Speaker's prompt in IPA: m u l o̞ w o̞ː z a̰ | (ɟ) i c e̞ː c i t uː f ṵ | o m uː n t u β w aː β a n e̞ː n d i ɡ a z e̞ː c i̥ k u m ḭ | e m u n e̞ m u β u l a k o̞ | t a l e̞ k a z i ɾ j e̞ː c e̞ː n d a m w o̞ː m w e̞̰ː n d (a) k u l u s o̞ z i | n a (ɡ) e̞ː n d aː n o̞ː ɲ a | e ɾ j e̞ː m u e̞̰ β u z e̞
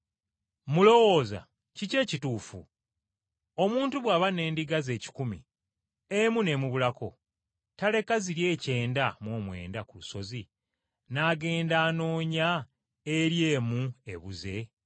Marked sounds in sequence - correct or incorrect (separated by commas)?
incorrect, correct, correct